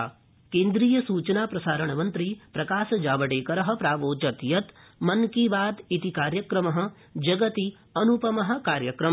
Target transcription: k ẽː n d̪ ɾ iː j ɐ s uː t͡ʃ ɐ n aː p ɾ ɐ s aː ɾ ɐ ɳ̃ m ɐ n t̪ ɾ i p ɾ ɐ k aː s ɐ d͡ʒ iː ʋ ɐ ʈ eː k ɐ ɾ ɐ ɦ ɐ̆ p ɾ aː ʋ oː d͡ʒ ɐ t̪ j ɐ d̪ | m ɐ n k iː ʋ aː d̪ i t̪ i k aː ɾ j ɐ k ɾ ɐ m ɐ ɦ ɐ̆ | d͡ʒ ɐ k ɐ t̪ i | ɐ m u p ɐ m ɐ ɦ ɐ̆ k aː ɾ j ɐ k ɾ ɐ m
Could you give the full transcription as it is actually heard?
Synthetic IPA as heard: k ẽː n d̪ ɾ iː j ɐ s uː t͡ʃ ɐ n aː p ɾ ɐ s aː ɾ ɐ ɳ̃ m ɐ n t̪ ɾ i p ɾ ɐ k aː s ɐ d͡ʒ aː ʋ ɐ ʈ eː k ɐ ɾ ɐ ɦ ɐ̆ p ɾ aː ʋ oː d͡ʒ ɐ t̪ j ɐ t̪ | m ɐ n k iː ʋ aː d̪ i t̪ i k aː ɾ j ɐ k ɾ ɐ m ɐ ɦ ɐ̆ | d͡ʒ ɐ ɡ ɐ t̪ i | ɐ n u p ɐ m ɐ ɦ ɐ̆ k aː ɾ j ɐ k ɾ ɐ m